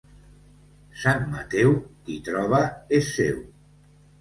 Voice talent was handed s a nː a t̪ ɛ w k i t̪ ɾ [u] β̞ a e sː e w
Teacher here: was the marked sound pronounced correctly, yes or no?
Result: no